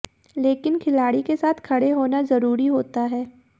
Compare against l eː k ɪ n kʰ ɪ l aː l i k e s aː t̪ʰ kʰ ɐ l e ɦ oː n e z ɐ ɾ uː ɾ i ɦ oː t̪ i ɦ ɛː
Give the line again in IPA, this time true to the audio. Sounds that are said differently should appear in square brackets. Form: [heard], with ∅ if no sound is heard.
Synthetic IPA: l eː k ɪ n kʰ ɪ l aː [ɽ] i k e s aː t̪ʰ kʰ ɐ [ɽ] e ɦ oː n [a] z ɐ ɾ uː ɾ i ɦ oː t̪ [a] ɦ ɛː